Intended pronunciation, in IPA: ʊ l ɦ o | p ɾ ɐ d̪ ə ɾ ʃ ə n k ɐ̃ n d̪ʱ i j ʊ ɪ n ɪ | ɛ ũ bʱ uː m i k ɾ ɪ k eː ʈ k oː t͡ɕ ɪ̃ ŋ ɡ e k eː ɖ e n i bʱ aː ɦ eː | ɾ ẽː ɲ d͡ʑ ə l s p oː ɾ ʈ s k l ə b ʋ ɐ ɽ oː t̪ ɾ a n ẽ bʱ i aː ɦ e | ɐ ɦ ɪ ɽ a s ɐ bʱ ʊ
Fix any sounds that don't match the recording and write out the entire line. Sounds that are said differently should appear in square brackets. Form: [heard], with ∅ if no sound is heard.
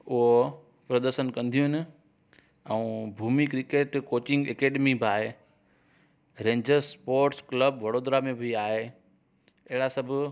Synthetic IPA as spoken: ʊ [∅] ɦ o | p ɾ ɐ d̪ ə ɾ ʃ ə n k ɐ̃ n d̪ʱ i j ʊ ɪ n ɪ | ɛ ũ bʱ uː m i k ɾ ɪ k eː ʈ k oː t͡ɕ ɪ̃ ŋ ɡ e k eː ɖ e [m] i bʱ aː ɦ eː | ɾ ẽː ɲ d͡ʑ ə [ɾ] s p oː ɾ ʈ s k l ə b ʋ ɐ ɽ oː [d̪] ɾ a [m] ẽ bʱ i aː ɦ e | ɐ ɦ ɪ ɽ a s ɐ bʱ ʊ